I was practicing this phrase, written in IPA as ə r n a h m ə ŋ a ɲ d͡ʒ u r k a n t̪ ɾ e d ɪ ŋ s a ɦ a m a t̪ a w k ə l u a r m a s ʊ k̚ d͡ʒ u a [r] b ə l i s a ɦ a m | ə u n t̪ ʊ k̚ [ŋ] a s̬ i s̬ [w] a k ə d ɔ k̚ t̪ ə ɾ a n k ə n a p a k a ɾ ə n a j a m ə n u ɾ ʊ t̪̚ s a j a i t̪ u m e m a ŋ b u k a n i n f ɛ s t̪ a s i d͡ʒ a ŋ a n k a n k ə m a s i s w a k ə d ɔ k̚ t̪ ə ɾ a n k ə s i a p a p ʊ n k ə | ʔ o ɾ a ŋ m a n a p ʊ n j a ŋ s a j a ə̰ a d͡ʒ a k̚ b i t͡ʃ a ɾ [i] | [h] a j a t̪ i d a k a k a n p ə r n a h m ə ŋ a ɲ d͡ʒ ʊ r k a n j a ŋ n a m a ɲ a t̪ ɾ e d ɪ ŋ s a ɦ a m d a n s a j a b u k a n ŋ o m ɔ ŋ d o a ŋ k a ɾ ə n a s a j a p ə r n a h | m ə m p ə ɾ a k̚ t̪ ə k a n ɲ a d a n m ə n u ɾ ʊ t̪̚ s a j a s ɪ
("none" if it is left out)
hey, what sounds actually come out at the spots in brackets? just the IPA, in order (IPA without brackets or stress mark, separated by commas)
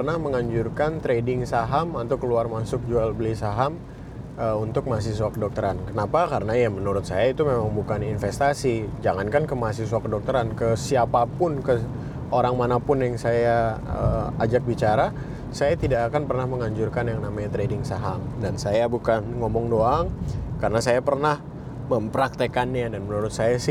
l, m, w, a, s